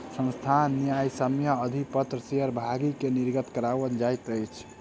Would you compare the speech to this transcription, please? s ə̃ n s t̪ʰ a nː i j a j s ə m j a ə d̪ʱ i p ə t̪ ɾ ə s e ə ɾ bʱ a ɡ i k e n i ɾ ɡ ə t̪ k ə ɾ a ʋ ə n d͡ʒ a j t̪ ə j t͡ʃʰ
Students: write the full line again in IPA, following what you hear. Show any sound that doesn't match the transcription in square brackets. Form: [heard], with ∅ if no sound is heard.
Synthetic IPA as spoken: s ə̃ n s t̪ʰ a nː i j a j s ə m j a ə d̪ʱ i p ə t̪ ɾ ə s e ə ɾ bʱ a ɡ i k e n i ɾ ɡ ə t̪ k ə ɾ a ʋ ə n d͡ʒ a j t̪ ə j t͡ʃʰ